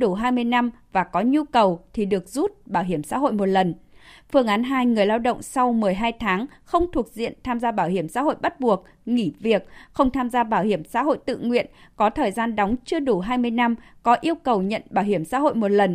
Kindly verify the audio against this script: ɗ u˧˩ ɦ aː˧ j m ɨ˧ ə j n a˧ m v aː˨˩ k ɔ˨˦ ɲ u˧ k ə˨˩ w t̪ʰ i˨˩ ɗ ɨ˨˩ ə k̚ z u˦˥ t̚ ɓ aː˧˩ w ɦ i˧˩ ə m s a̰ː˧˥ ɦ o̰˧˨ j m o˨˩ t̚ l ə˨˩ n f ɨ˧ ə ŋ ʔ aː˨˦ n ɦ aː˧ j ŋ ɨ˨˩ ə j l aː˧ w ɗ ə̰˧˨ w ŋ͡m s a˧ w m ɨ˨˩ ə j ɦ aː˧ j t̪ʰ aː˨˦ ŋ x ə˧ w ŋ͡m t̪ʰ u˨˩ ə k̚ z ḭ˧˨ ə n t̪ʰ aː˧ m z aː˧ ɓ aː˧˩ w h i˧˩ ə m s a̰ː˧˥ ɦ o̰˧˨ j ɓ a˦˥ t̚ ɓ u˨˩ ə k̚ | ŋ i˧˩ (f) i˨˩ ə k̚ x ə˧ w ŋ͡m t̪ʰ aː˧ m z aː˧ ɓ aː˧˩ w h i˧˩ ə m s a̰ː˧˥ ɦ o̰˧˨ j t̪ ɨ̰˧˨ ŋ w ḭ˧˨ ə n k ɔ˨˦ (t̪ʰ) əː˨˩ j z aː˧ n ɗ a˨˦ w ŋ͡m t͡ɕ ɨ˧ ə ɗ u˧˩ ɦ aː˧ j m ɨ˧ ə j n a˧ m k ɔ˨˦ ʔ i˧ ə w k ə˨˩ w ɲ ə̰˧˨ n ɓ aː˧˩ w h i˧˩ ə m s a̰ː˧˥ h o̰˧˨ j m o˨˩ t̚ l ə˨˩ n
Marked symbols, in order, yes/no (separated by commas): no, yes